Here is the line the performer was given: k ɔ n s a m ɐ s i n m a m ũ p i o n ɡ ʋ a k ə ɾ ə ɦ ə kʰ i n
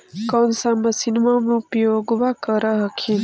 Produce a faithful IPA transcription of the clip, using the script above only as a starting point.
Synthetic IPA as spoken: k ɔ n s a m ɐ s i n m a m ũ p j o ɡ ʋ a k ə ɾ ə ɦ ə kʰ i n